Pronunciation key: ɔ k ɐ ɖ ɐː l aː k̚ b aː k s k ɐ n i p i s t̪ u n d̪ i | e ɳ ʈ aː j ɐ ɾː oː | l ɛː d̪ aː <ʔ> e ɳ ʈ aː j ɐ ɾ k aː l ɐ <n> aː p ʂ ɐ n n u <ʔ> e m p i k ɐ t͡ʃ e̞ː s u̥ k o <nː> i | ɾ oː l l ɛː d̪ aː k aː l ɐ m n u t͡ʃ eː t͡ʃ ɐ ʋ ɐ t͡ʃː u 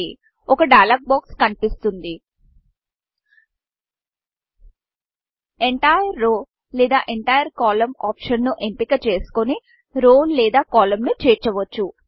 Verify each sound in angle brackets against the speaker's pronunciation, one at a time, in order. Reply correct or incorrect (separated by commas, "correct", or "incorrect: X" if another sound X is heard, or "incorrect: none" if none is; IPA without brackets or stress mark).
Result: correct, incorrect: m, correct, incorrect: n